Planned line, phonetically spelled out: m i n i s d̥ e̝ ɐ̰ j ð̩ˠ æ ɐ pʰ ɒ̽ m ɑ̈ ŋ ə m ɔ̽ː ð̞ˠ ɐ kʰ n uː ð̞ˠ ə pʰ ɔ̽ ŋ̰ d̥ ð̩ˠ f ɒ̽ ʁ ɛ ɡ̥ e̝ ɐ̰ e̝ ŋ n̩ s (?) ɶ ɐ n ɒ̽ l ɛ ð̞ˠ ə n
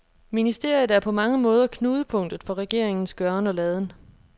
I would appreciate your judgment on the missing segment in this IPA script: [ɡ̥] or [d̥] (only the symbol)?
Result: ɡ̥